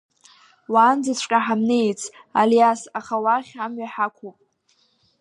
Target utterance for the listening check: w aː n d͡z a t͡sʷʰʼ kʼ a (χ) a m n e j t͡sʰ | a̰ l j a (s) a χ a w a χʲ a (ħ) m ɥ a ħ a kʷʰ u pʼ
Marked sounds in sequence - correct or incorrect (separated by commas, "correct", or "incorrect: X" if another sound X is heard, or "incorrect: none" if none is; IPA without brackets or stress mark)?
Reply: incorrect: ħ, correct, incorrect: none